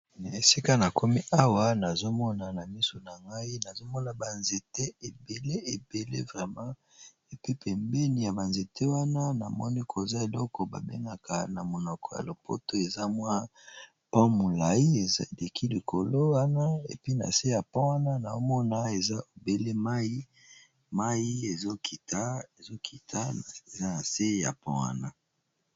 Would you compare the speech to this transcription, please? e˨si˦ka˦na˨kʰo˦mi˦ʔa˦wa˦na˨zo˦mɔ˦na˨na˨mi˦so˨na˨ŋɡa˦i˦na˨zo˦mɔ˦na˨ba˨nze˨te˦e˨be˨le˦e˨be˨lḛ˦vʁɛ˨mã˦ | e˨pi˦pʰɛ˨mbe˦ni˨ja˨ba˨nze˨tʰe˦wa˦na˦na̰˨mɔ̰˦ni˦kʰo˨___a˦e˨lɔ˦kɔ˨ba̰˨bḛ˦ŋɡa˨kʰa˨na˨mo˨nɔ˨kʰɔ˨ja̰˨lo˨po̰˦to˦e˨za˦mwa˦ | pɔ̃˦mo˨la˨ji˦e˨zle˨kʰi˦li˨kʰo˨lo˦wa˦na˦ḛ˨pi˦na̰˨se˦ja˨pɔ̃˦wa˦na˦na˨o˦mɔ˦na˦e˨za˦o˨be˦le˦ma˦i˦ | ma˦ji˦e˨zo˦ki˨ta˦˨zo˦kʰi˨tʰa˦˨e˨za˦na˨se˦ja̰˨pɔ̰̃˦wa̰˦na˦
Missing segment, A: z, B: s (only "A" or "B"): A